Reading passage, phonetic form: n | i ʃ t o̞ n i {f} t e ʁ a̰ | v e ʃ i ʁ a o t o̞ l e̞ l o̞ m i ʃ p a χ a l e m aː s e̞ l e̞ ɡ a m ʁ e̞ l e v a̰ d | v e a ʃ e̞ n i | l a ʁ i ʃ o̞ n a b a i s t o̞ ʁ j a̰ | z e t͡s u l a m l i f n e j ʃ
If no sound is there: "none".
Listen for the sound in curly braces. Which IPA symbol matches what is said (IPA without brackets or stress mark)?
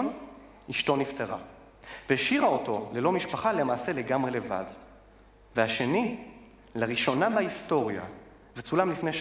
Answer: f